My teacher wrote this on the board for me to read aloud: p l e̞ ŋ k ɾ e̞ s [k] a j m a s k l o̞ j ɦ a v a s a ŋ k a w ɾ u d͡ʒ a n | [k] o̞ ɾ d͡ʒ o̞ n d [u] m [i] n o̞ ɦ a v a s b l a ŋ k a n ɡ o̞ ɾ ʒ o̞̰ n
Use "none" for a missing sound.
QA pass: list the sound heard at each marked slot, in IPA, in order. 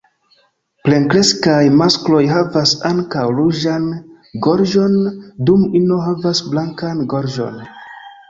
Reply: k, ɡ, u, i

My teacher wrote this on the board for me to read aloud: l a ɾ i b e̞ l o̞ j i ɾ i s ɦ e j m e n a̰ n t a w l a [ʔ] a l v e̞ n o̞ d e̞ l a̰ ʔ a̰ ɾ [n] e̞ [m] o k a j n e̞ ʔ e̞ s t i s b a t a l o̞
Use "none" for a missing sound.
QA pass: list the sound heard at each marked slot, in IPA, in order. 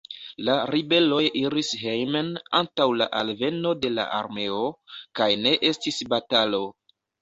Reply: ʔ, m, none

